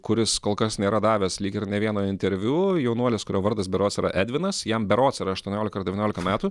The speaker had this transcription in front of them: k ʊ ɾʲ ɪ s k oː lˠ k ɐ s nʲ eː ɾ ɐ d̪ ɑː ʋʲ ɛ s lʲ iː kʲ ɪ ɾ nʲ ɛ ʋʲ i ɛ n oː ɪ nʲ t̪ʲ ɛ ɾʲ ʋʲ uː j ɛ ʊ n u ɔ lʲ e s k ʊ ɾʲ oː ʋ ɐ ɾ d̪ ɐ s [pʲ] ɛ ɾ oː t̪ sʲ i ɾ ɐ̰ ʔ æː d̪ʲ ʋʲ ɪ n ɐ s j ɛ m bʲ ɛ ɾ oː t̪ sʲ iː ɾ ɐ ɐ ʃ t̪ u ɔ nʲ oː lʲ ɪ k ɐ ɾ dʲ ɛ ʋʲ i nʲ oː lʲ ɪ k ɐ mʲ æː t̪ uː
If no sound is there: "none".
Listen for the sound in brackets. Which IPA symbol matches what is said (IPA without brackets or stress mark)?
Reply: bʲ